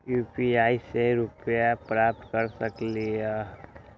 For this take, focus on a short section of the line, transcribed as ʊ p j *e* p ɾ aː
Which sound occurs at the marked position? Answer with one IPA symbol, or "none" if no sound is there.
a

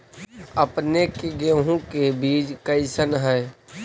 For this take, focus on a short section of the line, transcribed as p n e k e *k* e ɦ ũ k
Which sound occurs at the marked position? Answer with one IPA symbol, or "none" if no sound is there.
ɡ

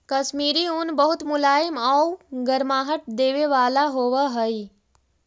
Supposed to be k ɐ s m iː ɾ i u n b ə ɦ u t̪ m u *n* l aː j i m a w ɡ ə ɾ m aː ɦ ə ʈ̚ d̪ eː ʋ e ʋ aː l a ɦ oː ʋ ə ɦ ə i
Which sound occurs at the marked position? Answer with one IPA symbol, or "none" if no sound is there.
none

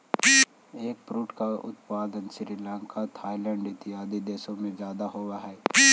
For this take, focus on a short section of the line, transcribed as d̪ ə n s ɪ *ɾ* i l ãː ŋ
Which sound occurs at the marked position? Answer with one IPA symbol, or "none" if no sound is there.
ɾ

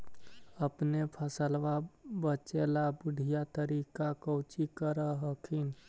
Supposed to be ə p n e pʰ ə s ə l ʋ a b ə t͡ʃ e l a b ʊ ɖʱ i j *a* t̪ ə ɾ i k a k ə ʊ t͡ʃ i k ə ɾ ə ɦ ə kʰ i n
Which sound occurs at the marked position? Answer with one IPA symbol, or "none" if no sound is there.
a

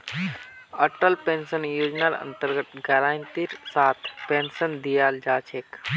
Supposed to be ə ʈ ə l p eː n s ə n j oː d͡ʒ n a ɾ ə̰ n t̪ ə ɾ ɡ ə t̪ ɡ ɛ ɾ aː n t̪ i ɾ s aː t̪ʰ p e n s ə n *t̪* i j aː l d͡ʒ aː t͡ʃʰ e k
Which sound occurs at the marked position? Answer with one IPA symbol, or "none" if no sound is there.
d̪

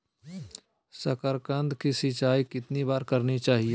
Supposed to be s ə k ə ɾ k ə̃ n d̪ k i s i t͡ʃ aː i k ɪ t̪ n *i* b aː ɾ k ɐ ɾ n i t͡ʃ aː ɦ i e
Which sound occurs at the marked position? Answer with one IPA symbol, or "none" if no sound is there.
i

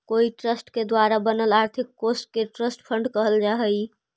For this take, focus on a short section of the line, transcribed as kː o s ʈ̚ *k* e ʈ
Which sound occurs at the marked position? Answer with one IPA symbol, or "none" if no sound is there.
k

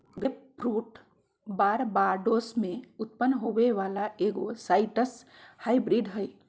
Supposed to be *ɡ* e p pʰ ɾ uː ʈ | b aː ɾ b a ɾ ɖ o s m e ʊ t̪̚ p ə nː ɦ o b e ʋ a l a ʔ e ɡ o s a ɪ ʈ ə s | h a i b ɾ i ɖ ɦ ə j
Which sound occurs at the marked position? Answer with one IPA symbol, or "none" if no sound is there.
ɡ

